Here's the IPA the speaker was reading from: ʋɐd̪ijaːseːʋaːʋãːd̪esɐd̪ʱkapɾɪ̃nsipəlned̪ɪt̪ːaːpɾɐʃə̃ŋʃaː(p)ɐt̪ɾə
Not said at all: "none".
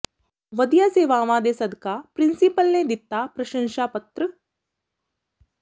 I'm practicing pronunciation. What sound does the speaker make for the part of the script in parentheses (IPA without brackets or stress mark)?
p